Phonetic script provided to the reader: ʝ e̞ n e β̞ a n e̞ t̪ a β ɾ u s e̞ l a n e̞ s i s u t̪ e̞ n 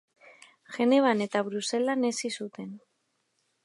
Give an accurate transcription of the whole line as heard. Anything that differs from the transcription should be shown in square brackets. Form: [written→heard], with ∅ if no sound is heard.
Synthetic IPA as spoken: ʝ e̞ n e β̞ a n e̞ t̪ a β ɾ u s e̞ l a n e̞ s i s u t̪ e̞ n